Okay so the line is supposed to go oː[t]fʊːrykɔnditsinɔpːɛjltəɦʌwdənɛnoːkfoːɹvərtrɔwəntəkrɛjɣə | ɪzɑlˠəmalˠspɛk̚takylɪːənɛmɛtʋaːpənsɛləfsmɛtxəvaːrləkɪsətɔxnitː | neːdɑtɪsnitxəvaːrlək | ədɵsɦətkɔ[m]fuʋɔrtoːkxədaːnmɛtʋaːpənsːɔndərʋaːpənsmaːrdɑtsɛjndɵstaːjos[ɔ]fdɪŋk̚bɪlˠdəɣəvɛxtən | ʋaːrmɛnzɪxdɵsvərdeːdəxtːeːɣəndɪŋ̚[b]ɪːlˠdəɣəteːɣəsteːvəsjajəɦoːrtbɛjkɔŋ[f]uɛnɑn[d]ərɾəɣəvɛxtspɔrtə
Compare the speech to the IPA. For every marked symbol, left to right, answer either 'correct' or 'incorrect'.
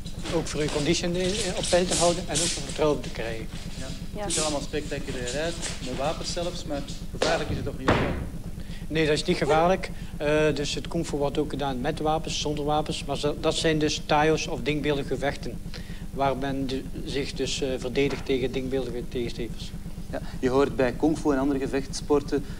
incorrect, incorrect, correct, correct, correct, correct

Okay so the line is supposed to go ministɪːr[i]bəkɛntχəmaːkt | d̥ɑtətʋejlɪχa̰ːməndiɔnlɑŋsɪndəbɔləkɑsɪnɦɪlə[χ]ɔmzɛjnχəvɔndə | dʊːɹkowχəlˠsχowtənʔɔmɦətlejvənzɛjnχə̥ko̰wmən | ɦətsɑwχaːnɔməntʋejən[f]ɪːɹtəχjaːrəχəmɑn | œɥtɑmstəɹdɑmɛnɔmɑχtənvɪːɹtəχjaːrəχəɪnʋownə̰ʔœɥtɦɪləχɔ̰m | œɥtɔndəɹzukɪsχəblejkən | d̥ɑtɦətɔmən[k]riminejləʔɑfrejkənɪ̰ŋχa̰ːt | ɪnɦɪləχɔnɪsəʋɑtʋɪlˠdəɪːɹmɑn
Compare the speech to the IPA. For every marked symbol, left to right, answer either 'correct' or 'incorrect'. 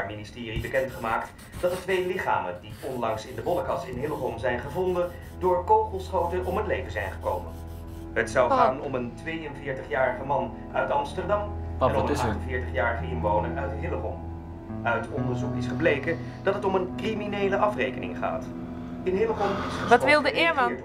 correct, correct, incorrect, correct

